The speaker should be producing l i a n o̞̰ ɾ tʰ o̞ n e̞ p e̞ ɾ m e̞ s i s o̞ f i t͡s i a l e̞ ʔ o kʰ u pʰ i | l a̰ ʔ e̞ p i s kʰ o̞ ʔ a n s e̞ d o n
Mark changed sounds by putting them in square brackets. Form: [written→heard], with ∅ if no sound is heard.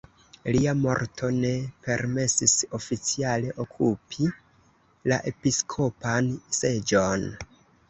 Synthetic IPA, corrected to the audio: l i a [n→m] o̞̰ ɾ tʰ o̞ n e̞ p e̞ ɾ m e̞ s i s o̞ f i t͡s i a l e̞ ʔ o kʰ u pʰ i | l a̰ ʔ e̞ p i s kʰ o̞ [ʔ→p] a n s e̞ [d→d͡ʒ] o n